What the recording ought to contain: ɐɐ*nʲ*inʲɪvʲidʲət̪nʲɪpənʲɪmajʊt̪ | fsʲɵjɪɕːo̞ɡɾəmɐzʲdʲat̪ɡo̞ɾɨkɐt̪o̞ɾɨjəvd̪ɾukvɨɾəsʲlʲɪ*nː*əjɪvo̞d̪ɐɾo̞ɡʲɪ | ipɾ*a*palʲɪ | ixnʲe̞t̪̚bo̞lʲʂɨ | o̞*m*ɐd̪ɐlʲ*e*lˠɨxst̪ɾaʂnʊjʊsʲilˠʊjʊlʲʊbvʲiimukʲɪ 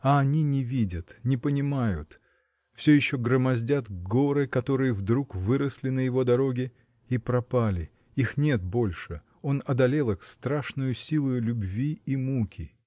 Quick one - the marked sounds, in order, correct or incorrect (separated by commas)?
correct, incorrect, incorrect, incorrect, correct